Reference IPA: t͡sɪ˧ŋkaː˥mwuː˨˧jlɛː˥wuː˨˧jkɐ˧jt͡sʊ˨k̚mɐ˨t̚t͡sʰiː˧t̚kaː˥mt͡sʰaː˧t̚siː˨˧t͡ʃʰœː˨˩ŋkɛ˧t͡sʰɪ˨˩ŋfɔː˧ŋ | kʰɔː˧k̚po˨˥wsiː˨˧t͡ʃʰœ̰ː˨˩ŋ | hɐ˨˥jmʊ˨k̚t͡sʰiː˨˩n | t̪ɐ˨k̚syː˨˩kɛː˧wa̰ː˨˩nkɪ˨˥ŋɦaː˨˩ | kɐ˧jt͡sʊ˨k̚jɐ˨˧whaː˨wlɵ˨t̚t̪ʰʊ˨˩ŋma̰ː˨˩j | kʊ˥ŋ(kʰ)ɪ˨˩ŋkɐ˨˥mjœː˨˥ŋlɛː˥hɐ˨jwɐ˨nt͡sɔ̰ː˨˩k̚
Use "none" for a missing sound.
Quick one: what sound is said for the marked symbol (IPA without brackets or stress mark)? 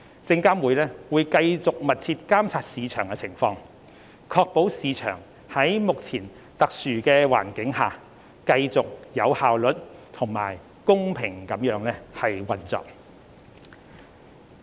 pʰ